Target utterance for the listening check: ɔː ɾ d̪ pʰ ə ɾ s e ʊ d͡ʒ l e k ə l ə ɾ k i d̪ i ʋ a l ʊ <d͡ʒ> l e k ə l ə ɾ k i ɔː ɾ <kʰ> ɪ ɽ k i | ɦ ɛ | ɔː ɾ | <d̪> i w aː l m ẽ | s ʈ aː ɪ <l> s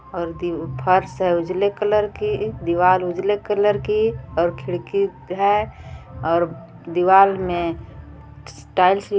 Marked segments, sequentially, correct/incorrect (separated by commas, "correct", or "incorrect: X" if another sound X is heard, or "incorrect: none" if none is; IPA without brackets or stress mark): correct, correct, correct, correct